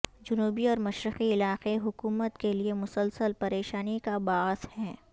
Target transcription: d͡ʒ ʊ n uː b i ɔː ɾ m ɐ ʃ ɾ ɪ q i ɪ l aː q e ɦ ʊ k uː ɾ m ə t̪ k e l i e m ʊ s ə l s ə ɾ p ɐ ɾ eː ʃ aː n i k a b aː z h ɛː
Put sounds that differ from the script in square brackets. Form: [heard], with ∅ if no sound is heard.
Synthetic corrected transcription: d͡ʒ ʊ n uː b i ɔː ɾ m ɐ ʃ ɾ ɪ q i ɪ l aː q e ɦ ʊ k uː [∅] m ə t̪ k e l i e m ʊ s ə l s ə [l] p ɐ ɾ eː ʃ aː n i k a b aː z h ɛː